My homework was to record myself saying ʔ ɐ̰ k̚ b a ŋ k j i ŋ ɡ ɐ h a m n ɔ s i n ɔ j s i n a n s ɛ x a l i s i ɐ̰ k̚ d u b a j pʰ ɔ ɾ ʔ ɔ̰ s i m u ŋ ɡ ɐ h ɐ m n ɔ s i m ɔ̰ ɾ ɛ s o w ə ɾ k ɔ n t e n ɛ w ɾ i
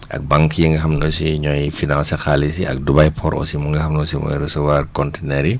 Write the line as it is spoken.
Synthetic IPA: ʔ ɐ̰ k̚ b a ŋ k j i ŋ ɡ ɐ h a m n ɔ s i ɲ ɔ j f i n a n s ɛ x a l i s i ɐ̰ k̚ d u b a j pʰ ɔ ɾ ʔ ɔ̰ s i m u ŋ ɡ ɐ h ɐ m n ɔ s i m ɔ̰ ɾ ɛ s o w a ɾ k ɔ n t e n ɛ ɾ i